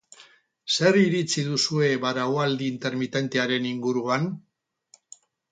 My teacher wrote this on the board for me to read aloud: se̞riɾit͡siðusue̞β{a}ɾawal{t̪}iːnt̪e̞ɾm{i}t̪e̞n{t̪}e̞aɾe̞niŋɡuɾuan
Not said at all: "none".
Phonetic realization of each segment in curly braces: a, d̪, i, t̪

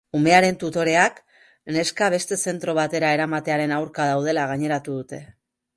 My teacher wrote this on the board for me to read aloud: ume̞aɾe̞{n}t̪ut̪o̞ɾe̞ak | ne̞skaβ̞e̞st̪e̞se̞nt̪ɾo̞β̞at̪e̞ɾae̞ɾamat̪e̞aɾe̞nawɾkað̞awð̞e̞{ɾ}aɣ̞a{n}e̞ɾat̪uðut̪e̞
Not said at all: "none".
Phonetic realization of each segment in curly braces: n, l, ɲ

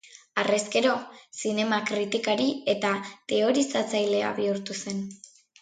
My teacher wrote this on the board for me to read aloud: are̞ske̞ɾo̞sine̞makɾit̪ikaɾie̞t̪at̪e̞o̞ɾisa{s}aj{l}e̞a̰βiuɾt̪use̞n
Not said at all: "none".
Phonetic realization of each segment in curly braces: t͡s, l

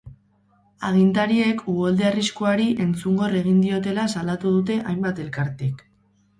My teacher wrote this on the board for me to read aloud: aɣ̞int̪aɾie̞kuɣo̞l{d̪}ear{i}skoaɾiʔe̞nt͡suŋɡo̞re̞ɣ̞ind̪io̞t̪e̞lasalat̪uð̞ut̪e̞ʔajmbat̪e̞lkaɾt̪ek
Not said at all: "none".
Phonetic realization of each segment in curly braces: d̪, i

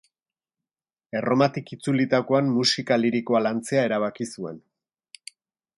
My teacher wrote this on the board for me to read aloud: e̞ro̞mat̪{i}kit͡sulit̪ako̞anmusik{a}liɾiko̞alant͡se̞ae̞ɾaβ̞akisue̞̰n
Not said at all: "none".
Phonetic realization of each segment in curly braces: i, a

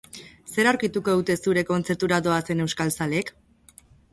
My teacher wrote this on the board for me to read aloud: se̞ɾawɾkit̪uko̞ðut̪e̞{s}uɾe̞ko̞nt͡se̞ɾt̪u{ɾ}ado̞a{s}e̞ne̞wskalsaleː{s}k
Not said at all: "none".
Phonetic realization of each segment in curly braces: s, ɾ, s, none

